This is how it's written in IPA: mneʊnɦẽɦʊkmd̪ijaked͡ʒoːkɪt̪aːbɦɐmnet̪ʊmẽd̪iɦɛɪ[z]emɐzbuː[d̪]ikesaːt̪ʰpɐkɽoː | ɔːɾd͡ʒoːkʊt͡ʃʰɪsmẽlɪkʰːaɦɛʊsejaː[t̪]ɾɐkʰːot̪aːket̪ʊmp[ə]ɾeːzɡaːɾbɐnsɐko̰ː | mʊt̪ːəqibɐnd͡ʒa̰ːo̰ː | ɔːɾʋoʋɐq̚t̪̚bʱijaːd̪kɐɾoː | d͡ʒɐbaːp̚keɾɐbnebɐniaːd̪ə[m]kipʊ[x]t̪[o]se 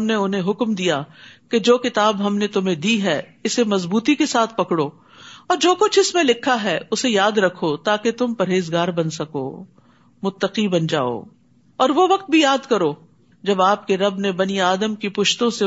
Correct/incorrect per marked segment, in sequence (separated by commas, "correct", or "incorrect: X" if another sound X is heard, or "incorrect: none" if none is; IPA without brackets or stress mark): incorrect: s, incorrect: t̪, incorrect: d̪, incorrect: ɐ, correct, incorrect: ʃ, incorrect: õ